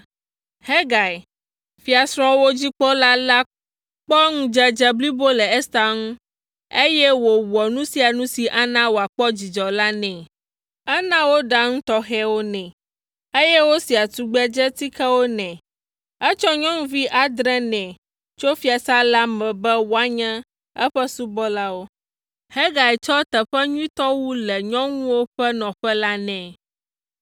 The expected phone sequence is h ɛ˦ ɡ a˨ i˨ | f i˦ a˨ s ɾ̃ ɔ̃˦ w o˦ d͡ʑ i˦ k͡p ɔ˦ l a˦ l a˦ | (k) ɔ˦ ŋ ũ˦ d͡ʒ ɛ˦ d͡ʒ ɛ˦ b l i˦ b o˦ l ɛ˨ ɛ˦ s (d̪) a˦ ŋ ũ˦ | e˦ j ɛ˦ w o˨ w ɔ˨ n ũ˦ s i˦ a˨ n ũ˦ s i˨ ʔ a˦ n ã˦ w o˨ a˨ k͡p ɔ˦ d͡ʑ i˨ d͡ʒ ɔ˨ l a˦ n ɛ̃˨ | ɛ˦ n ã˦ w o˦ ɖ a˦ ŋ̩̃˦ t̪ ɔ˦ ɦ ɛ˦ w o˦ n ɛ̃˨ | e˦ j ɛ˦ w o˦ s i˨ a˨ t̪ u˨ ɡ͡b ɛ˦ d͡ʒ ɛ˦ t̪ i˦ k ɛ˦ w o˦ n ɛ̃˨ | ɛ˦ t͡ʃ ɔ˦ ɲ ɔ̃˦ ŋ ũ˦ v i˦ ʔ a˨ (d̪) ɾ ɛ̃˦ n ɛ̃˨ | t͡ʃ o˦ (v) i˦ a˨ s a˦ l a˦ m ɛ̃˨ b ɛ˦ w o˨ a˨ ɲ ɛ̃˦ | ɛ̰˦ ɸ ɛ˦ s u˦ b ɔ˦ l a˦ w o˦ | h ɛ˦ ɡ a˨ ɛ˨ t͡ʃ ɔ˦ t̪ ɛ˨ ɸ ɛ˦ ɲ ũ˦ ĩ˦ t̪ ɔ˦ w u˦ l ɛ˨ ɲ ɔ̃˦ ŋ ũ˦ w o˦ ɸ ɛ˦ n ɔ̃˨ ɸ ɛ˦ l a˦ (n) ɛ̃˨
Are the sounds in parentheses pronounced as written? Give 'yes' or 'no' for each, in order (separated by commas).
no, no, yes, no, yes